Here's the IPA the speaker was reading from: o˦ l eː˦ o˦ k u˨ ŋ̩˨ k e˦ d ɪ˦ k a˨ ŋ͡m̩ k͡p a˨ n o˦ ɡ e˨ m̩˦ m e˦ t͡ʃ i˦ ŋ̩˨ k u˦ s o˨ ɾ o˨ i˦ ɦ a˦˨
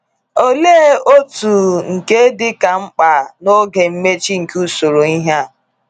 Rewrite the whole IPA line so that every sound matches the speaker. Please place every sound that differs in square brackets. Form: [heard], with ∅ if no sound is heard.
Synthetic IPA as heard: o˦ l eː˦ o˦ [t] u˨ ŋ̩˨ k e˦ d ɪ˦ k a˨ ŋ͡m̩ k͡p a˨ n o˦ ɡ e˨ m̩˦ m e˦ t͡ʃ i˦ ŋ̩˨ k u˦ s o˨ ɾ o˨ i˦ ɦ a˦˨

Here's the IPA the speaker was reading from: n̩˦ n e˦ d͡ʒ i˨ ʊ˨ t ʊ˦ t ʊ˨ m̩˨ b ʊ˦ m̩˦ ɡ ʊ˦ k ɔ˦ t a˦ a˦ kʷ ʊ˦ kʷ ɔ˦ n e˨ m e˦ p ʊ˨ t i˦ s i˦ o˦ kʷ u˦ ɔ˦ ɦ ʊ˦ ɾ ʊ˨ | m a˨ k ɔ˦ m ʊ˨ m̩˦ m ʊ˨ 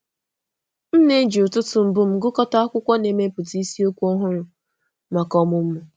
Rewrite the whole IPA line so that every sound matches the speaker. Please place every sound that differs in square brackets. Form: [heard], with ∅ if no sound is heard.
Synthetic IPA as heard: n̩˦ n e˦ d͡ʒ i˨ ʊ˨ t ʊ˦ t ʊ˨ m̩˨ b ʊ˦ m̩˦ ɡ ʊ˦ k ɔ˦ t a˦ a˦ kʷ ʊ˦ kʷ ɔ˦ n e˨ m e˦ p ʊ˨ t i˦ s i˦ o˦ kʷ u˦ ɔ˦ ɦ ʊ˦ ɾ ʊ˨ | m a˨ k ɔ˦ m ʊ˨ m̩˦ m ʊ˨

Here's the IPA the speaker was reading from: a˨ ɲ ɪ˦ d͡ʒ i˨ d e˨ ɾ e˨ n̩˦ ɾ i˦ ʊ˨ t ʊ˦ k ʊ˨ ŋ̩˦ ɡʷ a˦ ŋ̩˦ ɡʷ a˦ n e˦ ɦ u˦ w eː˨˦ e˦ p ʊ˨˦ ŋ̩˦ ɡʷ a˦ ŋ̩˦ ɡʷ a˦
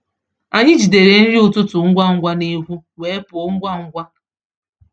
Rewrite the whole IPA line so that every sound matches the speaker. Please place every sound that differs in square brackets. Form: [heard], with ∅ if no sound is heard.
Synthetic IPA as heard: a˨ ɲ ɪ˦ d͡ʒ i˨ d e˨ ɾ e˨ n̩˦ ɾ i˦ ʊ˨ t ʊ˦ [t] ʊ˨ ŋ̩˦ ɡʷ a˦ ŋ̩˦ ɡʷ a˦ n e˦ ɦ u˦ w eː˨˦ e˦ p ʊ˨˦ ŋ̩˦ ɡʷ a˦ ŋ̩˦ ɡʷ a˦

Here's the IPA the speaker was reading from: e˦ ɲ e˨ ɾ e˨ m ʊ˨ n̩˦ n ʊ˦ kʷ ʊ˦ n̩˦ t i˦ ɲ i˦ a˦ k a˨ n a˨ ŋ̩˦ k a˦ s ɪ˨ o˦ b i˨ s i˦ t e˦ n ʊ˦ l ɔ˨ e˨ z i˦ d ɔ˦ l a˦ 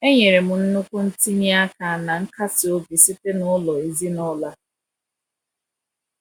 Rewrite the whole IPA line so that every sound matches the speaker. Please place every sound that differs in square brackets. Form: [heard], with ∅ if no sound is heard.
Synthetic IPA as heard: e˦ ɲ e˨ ɾ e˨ m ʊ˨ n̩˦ n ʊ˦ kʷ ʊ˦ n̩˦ t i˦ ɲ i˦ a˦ k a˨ n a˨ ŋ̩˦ k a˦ s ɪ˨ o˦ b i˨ s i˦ t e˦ n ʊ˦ l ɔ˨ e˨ z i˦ [n] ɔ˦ l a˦

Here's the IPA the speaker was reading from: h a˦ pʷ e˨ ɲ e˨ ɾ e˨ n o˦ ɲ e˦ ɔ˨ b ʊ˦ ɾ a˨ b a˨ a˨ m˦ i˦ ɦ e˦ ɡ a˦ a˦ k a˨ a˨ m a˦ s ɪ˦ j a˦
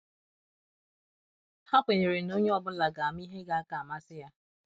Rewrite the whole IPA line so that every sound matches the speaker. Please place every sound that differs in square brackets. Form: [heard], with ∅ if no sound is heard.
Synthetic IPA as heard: h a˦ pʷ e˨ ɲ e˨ ɾ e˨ n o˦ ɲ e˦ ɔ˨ b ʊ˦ [l] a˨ [ɡ] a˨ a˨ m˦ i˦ ɦ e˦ ɡ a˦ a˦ k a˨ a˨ m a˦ s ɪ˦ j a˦

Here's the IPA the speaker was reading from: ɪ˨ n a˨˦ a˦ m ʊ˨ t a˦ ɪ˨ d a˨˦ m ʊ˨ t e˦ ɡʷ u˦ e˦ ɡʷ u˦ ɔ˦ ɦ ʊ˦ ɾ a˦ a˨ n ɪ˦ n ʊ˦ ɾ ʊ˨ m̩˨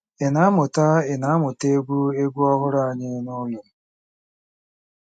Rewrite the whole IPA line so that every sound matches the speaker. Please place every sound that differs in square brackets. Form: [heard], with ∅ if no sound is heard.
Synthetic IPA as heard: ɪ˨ n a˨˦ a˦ m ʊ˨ t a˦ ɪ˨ [n] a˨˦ m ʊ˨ t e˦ ɡʷ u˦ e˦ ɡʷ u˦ ɔ˦ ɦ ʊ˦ ɾ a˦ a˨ [ɲ] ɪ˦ n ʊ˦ [l] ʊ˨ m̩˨

